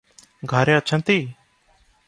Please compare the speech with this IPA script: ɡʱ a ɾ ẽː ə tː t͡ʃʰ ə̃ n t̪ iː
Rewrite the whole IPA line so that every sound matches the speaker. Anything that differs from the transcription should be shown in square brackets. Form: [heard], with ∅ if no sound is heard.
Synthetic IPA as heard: ɡʱ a ɾ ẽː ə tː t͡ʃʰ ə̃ n t̪ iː